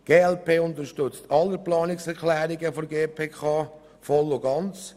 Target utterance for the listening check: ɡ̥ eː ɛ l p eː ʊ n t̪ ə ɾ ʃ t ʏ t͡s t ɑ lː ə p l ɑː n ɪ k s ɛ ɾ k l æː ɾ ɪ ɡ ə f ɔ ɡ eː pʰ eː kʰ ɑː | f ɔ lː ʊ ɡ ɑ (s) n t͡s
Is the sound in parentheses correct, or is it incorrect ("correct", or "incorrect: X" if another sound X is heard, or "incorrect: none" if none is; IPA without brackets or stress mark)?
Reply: incorrect: none